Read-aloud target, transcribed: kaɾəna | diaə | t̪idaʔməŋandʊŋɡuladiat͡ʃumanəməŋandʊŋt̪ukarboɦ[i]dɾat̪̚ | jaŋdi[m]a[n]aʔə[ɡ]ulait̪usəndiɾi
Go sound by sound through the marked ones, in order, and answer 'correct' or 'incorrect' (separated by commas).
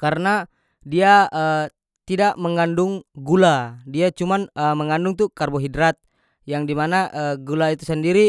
correct, correct, correct, correct